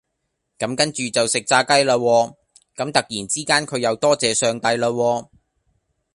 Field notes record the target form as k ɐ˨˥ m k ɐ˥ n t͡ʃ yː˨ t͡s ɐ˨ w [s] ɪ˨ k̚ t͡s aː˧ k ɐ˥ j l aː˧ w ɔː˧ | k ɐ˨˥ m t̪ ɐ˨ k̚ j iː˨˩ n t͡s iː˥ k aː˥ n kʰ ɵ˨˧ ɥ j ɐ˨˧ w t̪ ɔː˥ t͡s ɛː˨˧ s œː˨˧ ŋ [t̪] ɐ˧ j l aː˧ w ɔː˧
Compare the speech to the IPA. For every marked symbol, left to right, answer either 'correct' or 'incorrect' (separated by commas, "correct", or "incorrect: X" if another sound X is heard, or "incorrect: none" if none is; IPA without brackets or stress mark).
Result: correct, correct